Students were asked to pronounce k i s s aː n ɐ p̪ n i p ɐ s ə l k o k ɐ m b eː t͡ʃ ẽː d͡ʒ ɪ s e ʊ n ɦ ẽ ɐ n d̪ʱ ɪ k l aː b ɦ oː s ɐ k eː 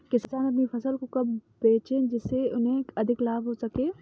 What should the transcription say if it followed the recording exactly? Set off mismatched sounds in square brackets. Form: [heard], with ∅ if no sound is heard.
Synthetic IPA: k [ɪ] s s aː n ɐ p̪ n i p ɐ s ə l k o k ɐ [b] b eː t͡ʃ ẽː d͡ʒ ɪ s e ʊ n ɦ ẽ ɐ [∅] d̪ʱ ɪ k l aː b ɦ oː s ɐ k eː

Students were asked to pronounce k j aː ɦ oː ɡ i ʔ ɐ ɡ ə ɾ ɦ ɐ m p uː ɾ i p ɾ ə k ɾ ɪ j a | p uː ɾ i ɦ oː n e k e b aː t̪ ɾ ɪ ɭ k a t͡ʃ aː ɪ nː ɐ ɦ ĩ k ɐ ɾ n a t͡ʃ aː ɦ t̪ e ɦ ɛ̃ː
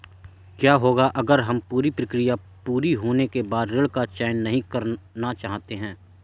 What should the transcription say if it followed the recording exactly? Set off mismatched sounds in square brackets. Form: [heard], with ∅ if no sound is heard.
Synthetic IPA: k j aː ɦ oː ɡ [a] ʔ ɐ ɡ ə ɾ ɦ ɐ m p uː ɾ i p ɾ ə k ɾ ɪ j a | p uː ɾ i ɦ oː n e k e b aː [d̪] ɾ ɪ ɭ k a t͡ʃ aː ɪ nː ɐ ɦ ĩ k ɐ ɾ n a t͡ʃ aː ɦ t̪ e ɦ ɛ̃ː

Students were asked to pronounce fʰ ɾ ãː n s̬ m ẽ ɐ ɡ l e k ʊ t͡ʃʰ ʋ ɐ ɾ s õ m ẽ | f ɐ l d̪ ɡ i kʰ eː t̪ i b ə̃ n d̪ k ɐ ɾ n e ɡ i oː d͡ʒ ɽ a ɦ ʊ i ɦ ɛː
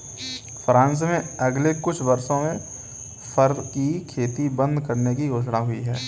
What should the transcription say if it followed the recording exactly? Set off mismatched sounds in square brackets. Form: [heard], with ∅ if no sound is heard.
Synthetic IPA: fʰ ɾ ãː n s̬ m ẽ ɐ ɡ l e k ʊ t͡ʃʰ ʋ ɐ ɾ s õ m ẽ | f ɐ [ɾ] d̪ [k] i kʰ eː t̪ i b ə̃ n d̪ k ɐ ɾ n e [k] i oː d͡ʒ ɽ a ɦ ʊ i ɦ ɛː

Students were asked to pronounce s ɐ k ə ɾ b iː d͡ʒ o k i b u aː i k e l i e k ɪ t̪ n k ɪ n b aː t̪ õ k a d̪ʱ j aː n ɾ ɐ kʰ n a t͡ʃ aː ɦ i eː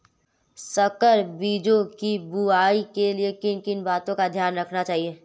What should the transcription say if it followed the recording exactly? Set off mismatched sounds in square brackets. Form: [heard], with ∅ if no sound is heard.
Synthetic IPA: s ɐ k ə ɾ b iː d͡ʒ o k i b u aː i k e l i e k ɪ [∅] n k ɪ n b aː t̪ õ k a d̪ʱ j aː n ɾ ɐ kʰ n a t͡ʃ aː ɦ i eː

